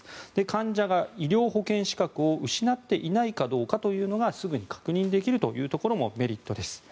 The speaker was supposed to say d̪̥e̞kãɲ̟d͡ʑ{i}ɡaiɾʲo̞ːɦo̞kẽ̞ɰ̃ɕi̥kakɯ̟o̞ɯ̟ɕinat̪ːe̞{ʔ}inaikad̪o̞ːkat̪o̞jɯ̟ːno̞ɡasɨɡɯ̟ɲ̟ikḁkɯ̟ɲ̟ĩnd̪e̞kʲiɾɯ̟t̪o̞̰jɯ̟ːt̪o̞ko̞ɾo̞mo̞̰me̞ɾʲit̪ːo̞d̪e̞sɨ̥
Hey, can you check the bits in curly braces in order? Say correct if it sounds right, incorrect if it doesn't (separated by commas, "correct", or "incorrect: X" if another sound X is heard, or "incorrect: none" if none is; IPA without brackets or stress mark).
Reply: incorrect: a, correct